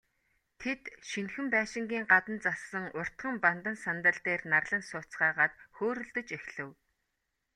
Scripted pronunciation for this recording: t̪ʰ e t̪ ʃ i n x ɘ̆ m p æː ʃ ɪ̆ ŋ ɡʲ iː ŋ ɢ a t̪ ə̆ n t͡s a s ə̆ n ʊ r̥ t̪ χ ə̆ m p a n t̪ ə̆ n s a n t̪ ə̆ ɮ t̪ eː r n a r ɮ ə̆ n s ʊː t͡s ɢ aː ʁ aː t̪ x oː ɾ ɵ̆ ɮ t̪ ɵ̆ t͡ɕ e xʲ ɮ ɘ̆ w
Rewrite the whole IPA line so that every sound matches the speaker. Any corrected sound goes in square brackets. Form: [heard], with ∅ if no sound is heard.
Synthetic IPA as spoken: t̪ʰ e t̪ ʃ i n x ɘ̆ m p æː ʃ ɪ̆ ŋ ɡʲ iː ŋ ɢ a t̪ ə̆ n t͡s a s ə̆ [ŋ] ʊ r̥ t̪ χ ə̆ m p a n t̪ ə̆ n s a n t̪ ə̆ ɮ t̪ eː r n a r ɮ ə̆ n s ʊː t͡s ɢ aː ʁ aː t̪ x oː ɾ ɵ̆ ɮ t̪ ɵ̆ t͡ɕ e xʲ ɮ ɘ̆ w